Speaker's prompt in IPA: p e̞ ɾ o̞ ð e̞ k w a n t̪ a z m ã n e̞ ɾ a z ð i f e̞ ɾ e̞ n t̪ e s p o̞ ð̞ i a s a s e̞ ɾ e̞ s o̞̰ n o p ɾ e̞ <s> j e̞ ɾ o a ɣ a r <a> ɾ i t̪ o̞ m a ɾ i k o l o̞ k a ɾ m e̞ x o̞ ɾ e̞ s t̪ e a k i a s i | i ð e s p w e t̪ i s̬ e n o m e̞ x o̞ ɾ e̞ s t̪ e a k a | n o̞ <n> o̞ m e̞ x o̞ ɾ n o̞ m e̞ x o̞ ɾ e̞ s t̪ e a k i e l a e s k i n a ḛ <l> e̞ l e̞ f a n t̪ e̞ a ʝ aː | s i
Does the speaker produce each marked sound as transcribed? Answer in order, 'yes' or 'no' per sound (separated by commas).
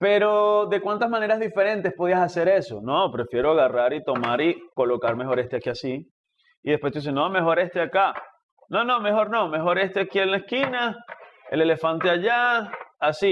no, yes, yes, yes